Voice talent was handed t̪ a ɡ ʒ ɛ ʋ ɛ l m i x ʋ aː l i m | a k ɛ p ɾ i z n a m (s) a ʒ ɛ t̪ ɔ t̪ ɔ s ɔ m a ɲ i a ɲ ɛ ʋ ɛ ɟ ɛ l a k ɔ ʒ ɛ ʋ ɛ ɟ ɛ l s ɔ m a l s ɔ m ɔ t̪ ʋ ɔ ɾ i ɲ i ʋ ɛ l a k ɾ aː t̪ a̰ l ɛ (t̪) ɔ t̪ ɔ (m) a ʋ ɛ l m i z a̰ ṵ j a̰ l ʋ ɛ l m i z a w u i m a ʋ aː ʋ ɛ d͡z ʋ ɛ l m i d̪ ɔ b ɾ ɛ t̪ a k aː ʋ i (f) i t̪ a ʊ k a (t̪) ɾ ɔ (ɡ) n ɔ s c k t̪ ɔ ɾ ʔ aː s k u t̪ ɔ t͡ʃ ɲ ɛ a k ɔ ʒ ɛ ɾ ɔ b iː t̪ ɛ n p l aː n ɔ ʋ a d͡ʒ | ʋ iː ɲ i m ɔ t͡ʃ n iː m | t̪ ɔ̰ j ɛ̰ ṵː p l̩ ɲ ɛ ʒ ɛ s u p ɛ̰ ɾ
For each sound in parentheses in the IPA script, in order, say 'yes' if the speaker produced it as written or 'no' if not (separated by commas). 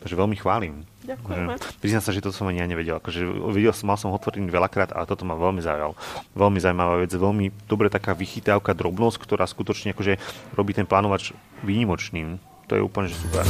yes, yes, yes, no, no, no